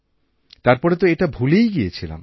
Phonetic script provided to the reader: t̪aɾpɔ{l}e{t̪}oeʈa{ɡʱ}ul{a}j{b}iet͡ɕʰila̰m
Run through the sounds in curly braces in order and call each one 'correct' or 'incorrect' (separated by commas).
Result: incorrect, correct, incorrect, incorrect, incorrect